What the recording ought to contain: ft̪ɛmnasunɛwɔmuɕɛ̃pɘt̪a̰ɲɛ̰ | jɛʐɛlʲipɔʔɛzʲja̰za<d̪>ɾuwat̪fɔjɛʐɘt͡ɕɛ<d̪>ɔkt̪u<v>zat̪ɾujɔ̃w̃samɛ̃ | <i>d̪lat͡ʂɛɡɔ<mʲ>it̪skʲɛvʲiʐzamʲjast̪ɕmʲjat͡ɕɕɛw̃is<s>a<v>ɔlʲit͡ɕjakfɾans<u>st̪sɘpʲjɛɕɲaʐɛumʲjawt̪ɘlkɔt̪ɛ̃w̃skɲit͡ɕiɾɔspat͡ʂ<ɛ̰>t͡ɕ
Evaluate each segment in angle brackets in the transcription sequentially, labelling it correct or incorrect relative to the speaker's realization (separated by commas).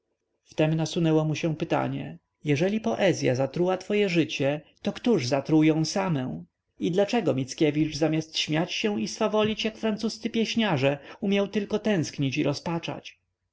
incorrect, incorrect, incorrect, correct, correct, incorrect, correct, correct, incorrect